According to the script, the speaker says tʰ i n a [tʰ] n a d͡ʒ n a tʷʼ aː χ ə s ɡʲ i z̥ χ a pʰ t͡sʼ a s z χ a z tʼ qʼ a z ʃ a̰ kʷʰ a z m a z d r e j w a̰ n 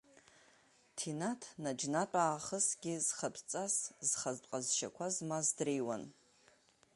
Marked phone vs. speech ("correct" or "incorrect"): correct